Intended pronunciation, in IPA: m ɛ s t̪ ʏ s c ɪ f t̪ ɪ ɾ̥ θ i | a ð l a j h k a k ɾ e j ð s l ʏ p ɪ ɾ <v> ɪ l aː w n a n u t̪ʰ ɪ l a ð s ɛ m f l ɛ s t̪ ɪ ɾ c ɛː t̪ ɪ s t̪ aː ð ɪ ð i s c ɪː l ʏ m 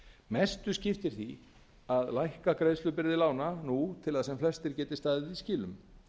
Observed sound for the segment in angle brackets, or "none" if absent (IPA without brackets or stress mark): ð